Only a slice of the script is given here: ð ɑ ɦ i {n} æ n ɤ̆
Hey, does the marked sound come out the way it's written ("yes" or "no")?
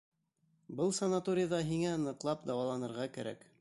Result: no